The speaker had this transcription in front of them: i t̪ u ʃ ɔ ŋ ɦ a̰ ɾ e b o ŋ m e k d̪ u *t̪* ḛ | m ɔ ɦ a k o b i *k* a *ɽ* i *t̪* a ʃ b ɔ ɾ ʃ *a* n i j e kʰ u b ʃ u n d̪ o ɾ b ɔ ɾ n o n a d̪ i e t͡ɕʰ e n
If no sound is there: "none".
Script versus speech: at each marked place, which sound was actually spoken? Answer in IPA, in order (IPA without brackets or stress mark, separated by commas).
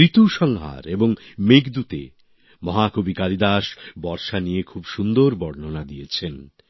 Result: t̪, k, l, d̪, a